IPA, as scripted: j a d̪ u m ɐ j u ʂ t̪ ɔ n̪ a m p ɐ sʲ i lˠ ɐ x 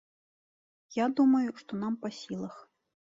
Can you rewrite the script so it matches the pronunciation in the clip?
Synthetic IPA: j a d̪ u m ɐ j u ʂ t̪ ɔ n̪ a m p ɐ sʲ i lˠ ɐ x